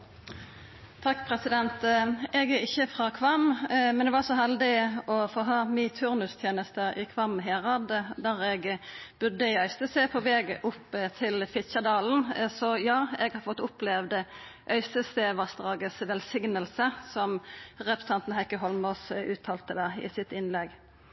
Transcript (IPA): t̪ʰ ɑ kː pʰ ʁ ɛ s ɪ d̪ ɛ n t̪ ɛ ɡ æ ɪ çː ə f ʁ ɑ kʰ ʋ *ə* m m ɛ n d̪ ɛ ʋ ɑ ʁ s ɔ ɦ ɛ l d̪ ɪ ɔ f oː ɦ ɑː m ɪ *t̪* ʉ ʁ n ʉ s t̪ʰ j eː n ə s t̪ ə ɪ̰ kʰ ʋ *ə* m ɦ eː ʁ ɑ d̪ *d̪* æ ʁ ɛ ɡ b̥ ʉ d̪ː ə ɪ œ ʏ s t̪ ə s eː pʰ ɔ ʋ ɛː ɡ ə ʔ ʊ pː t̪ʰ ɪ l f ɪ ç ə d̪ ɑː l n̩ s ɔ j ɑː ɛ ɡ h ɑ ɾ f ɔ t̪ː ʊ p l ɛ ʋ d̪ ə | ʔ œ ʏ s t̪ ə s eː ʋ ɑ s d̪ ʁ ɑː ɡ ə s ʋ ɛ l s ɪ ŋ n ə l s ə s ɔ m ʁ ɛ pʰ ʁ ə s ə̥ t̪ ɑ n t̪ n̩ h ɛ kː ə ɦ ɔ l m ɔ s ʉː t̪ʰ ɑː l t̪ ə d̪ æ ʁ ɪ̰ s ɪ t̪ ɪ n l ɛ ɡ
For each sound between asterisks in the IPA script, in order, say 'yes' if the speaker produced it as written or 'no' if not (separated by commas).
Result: no, no, no, yes